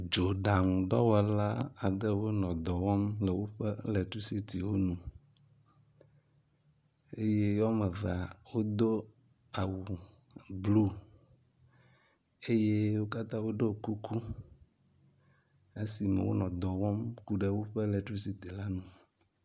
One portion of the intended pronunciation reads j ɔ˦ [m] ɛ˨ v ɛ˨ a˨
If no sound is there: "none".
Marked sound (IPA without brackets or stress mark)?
m